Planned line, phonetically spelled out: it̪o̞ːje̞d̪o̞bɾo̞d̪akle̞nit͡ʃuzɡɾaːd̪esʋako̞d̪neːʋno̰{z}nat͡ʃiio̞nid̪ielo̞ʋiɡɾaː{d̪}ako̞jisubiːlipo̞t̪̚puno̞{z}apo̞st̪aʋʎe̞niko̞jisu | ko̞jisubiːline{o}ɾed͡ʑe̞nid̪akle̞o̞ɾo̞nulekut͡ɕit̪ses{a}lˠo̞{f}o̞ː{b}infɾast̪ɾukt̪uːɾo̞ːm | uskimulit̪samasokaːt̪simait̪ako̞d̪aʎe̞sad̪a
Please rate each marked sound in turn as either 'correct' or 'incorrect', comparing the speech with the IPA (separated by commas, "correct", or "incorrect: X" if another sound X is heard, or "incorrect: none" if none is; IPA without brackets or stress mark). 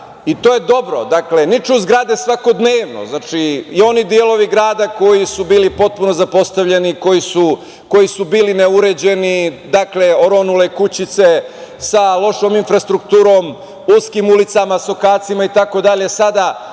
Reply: correct, correct, correct, incorrect: u, correct, incorrect: ʃ, incorrect: m